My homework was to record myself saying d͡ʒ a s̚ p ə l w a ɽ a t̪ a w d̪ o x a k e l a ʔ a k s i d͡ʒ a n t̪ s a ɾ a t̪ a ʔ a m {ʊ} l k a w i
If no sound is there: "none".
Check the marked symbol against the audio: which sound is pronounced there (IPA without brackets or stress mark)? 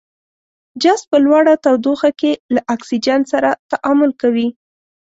ʊ